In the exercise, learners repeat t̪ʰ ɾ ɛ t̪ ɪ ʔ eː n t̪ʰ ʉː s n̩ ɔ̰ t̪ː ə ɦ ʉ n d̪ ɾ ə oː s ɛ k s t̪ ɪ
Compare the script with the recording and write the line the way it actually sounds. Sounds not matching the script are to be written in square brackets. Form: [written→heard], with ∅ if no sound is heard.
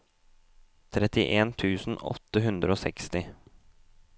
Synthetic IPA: t̪ʰ ɾ ɛ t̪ ɪ ʔ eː n t̪ʰ ʉː s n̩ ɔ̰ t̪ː ə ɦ ʉ n d̪ ɾ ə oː s ɛ k s t̪ ɪ